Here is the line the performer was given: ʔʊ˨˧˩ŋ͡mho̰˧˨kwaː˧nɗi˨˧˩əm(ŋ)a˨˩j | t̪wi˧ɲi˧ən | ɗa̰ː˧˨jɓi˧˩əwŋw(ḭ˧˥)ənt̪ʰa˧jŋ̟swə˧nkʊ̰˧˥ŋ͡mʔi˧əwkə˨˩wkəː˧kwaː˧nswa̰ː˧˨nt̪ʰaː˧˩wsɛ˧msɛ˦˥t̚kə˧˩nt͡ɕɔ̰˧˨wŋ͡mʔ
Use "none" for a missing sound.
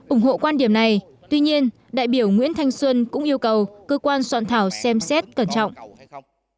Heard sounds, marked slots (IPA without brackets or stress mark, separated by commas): n, ḭ˧˥